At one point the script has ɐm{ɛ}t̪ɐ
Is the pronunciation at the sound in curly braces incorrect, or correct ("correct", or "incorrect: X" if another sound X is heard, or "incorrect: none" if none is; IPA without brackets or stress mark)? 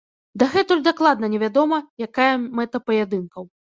correct